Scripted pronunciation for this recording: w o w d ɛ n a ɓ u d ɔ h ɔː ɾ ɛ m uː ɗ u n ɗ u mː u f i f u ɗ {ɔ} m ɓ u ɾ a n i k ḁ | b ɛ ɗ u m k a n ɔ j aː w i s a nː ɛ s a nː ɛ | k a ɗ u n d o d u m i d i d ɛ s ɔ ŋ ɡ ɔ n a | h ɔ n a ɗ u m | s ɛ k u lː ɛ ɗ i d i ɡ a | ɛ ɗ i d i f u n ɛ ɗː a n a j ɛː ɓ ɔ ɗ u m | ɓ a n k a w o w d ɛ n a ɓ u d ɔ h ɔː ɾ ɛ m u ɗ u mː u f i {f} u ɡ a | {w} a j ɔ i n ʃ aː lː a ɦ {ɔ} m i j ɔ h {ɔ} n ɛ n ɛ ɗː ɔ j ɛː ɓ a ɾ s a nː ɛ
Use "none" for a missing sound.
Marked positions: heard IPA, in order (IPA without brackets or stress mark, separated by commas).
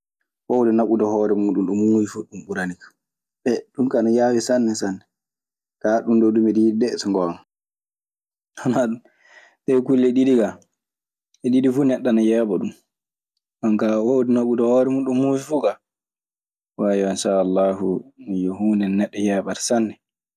u, f, w, u, u